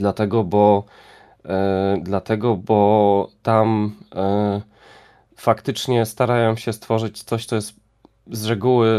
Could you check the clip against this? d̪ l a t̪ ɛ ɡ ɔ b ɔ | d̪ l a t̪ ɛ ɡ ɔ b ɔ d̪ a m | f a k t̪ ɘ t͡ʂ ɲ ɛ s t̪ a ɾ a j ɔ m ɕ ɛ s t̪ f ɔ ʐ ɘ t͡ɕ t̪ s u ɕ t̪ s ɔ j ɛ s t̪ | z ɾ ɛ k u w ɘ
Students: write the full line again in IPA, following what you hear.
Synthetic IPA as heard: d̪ l a t̪ ɛ ɡ ɔ b ɔ | d̪ l a t̪ ɛ ɡ ɔ b ɔ t̪ a m | f a k t̪ ɘ t͡ʂ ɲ ɛ s t̪ a ɾ a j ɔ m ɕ ɛ s t̪ f ɔ ʐ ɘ t͡ɕ t̪ s ɔ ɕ t̪ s ɔ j ɛ s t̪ | z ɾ ɛ ɡ u w ɘ